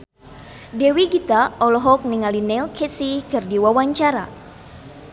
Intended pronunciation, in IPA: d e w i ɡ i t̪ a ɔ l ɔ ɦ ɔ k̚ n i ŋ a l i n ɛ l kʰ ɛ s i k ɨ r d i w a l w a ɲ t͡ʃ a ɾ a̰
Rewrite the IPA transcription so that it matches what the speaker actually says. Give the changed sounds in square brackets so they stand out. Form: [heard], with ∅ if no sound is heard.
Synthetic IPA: d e w i ɡ i t̪ a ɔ l ɔ ɦ ɔ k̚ n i ŋ a l i n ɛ l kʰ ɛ s i k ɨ r d i w a [∅] w a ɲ t͡ʃ a ɾ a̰